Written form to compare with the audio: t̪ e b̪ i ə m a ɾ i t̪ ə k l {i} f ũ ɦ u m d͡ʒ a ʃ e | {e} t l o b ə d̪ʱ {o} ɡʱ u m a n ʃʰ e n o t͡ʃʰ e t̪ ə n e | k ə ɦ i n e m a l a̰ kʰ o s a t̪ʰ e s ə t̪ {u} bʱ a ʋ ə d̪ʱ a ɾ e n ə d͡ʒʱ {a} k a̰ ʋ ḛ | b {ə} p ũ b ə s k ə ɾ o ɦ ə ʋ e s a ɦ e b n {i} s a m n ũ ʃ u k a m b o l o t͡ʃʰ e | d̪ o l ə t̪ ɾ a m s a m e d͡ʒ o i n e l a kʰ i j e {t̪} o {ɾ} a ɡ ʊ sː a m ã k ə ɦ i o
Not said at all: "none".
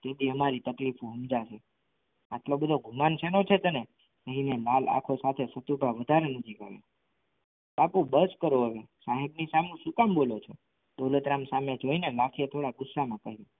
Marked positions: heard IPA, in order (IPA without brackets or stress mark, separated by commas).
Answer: i, a, o, u, i, a, i, t̪ʰ, ɽ